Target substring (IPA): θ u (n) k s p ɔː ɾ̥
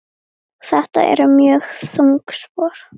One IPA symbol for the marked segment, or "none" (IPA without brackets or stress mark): ŋ